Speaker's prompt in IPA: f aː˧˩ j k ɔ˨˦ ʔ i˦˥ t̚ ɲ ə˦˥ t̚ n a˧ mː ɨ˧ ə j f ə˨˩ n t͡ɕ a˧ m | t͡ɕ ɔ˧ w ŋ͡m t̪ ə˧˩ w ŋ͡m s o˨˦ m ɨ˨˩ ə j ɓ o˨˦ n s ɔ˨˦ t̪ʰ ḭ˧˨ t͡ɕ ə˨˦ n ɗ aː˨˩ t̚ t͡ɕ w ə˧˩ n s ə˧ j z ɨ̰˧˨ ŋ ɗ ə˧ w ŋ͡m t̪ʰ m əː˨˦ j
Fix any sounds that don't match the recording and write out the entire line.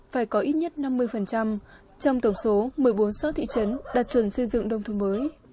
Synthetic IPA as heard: f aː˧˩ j k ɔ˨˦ ʔ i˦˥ t̚ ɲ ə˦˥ t̚ n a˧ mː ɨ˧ ə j f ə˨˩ n t͡ɕ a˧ m | t͡ɕ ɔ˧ w ŋ͡m t̪ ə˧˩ w ŋ͡m s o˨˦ m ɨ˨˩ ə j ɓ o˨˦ n s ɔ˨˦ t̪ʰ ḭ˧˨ t͡ɕ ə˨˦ n ɗ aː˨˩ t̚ t͡ɕ w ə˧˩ n s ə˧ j z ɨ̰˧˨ ŋ ɗ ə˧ w ŋ͡m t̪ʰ m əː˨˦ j